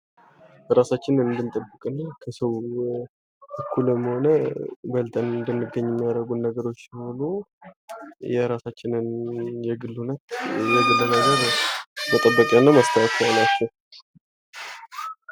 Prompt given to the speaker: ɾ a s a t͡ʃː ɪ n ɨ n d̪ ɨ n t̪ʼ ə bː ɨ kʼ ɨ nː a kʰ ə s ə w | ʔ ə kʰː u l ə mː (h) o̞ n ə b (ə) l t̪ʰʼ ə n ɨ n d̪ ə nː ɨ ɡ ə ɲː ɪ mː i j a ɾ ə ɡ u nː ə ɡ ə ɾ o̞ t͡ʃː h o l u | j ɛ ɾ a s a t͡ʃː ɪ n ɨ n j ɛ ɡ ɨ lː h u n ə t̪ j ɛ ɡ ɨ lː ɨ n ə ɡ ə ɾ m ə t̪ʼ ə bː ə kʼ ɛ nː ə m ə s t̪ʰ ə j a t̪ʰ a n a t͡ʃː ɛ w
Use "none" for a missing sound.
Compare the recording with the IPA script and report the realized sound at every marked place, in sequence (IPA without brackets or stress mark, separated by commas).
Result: h, ə